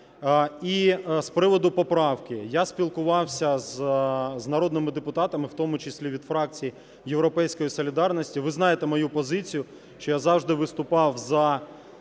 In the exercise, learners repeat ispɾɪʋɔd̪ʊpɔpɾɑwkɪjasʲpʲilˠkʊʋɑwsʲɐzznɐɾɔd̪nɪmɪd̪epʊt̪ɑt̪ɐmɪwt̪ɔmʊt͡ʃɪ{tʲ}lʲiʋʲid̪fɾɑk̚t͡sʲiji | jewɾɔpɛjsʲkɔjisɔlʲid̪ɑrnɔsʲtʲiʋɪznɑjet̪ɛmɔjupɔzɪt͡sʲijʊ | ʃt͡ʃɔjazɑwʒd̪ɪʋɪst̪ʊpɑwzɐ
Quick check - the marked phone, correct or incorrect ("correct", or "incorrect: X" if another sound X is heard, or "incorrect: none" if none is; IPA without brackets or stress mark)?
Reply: incorrect: sʲ